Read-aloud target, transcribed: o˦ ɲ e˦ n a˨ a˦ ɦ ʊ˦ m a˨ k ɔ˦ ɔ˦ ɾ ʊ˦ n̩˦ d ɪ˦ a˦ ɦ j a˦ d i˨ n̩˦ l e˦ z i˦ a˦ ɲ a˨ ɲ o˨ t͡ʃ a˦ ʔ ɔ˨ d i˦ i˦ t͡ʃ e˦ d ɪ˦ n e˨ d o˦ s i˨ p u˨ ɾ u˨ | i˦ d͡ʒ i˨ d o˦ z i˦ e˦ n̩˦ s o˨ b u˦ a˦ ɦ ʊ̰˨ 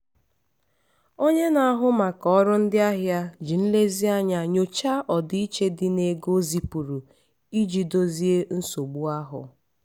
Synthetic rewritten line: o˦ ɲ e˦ n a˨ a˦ ɦ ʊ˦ m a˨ k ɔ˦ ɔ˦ ɾ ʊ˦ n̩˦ d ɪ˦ a˦ ɦ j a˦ d͡ʒ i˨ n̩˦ l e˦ z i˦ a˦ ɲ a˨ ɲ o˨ t͡ʃ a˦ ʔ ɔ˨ d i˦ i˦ t͡ʃ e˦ d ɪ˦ n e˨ ɡ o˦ z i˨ p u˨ ɾ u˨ | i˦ d͡ʒ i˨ d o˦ z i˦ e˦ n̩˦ s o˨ ɡ͡b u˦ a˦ ɦ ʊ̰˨